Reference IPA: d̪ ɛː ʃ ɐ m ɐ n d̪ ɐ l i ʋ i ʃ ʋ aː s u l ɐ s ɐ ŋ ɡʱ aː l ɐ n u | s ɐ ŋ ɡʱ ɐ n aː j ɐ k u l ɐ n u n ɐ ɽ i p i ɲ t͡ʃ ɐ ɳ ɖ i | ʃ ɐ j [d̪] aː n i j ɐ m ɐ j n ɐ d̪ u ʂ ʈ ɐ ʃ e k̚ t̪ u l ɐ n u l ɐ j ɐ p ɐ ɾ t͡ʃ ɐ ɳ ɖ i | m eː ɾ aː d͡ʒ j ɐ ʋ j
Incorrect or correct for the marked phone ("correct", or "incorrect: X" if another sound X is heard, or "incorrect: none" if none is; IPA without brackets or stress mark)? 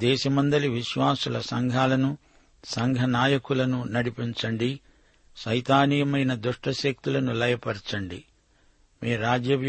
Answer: incorrect: t̪